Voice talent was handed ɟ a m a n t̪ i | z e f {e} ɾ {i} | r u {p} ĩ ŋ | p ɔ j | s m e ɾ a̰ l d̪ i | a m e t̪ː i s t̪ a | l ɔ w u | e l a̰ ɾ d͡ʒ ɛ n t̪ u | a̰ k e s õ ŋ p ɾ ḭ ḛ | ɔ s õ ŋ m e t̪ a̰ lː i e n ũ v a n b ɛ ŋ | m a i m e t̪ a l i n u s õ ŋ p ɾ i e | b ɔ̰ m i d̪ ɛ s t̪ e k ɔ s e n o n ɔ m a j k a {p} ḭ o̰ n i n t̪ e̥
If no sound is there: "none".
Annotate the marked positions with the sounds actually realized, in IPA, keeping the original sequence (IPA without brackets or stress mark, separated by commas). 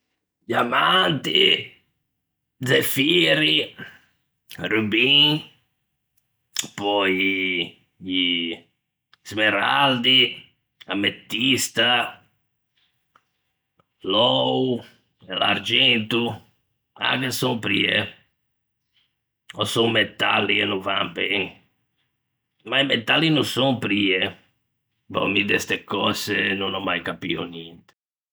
i, i, b, p